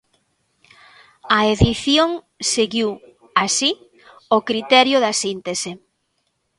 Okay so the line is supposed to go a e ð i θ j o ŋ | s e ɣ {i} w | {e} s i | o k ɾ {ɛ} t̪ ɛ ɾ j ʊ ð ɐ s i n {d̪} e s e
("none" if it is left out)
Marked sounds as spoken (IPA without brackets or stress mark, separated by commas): i, a, i, t̪